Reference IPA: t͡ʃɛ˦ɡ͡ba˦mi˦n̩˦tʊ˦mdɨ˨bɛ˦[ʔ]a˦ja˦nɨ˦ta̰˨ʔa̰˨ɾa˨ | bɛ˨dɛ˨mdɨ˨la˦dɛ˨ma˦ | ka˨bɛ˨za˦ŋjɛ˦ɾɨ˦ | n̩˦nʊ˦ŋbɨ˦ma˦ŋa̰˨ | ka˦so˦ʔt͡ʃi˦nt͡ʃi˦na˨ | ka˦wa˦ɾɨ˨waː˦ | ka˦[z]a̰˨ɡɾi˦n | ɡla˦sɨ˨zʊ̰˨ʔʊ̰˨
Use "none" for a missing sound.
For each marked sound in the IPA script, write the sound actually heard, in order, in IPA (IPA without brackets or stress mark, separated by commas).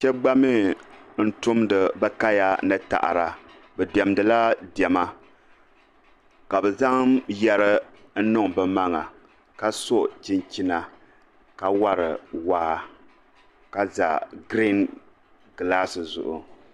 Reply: k, z